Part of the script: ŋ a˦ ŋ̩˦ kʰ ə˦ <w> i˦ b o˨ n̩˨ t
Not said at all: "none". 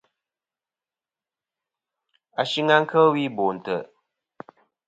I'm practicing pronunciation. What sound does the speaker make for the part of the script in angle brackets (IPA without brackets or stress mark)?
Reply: w